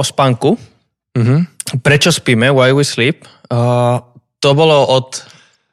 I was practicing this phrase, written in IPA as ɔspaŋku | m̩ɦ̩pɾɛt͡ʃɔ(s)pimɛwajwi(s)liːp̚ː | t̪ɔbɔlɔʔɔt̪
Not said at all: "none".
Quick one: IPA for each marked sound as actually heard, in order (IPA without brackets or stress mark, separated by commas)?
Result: s, s